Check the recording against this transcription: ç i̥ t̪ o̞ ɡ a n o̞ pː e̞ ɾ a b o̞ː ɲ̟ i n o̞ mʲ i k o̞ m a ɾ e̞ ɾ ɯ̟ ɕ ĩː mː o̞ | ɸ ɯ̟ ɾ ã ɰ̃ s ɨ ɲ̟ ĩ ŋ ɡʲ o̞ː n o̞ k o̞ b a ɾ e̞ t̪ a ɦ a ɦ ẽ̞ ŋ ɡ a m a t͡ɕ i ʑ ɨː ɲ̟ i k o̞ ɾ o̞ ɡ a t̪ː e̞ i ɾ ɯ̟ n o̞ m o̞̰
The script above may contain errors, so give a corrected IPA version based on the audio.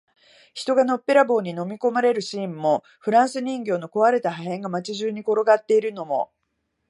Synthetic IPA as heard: ç i̥ t̪ o̞ ɡ a n o̞ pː e̞ ɾ a b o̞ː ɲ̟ i n o̞ mʲ i k o̞ m a ɾ e̞ ɾ ɯ̟ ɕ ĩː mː o̞ | ɸ ɯ̟ ɾ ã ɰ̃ s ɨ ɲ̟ ĩ ŋ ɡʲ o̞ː n o̞ k o̞ β a ɾ e̞ t̪ a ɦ a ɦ ẽ̞ ŋ ɡ a m a t͡ɕ i ʑ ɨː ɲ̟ i k o̞ ɾ o̞ ɡ a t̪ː e̞ i ɾ ɯ̟ n o̞ m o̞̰